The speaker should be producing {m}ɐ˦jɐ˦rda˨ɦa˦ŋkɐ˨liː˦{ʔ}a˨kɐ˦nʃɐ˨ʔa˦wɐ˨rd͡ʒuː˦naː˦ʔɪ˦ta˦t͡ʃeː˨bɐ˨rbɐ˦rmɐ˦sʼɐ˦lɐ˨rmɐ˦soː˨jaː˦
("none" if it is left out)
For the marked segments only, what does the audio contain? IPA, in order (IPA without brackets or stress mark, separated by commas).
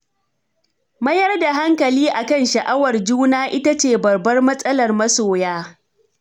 m, ʔ